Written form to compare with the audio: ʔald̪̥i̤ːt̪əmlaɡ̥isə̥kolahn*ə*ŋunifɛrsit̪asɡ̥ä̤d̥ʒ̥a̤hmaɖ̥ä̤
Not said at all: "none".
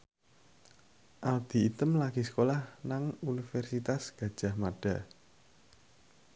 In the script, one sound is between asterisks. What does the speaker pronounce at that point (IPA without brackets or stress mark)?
a